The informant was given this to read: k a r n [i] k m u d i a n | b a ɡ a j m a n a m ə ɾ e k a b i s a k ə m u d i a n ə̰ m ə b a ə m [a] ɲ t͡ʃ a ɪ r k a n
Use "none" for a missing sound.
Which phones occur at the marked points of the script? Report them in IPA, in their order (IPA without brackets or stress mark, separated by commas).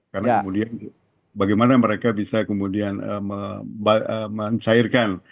a, ə